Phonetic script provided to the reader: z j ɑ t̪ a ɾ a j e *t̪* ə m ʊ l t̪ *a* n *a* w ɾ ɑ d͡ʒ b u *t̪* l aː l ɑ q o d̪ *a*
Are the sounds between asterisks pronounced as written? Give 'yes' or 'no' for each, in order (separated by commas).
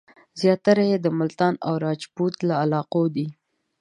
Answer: no, no, yes, yes, no